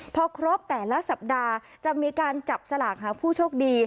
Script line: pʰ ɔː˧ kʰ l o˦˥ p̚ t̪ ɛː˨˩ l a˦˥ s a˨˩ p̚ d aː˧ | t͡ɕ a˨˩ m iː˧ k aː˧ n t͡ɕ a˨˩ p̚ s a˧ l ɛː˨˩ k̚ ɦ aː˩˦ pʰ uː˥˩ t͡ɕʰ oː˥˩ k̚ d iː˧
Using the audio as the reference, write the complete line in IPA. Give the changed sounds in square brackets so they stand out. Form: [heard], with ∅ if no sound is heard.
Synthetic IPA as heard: pʰ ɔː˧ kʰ [ɾ] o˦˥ p̚ t̪ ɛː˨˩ l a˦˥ s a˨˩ p̚ d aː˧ | t͡ɕ a˨˩ m iː˧ k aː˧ n t͡ɕ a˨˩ p̚ s a˧ l [aː˨˩] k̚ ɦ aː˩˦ pʰ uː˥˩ t͡ɕʰ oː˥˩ k̚ d iː˧